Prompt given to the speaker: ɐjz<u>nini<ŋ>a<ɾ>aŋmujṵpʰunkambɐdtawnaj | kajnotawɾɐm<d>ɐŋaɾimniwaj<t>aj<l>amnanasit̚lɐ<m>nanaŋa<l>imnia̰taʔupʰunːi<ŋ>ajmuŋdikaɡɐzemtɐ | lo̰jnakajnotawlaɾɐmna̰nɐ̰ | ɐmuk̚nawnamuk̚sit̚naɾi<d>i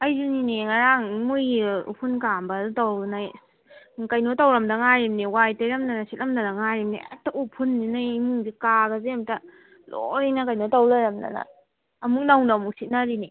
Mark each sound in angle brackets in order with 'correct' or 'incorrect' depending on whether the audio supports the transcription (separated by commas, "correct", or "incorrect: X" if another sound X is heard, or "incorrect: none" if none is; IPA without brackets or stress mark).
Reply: correct, correct, correct, correct, correct, incorrect: ɾ, correct, incorrect: ɾ, incorrect: n, incorrect: n